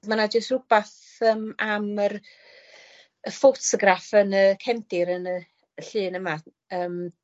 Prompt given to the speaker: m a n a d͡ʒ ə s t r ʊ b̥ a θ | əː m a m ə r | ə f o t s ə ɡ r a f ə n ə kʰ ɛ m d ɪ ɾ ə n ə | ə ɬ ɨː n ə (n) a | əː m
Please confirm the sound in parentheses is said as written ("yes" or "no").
no